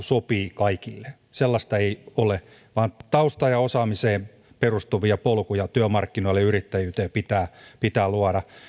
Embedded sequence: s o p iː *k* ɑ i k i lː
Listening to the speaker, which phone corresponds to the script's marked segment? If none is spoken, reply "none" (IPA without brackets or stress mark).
k